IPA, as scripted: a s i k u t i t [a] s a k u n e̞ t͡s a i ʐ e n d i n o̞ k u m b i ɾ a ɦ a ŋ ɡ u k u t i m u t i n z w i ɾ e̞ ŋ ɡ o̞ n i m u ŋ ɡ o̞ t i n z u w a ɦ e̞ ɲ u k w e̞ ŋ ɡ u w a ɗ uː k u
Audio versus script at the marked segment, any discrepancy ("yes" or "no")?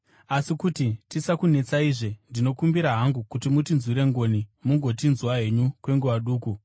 yes